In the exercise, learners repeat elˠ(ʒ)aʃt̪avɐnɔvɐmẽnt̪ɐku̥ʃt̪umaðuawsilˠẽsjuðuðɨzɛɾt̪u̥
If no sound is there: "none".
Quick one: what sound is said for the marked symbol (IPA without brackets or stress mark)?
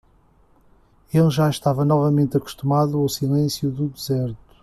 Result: ʒ